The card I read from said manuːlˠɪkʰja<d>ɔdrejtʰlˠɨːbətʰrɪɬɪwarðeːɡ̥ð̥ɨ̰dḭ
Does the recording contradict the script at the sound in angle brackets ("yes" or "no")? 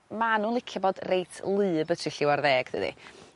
yes